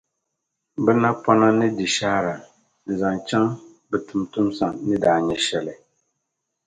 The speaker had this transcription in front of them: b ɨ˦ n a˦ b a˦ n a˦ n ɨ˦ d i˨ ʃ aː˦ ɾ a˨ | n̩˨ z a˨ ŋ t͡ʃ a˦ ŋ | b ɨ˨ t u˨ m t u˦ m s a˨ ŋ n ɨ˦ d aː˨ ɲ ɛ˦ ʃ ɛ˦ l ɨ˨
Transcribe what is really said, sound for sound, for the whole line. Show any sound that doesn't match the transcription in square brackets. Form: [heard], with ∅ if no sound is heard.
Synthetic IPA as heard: b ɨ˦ n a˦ [p] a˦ n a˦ n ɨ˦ d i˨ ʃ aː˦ ɾ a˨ | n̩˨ z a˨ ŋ t͡ʃ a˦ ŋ | b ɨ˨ t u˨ m t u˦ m s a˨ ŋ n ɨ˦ d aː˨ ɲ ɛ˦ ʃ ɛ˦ l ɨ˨